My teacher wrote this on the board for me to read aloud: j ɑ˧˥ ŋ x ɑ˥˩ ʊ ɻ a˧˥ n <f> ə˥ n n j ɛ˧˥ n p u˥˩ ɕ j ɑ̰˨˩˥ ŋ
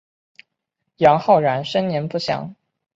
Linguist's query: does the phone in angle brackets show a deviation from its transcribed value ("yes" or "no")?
yes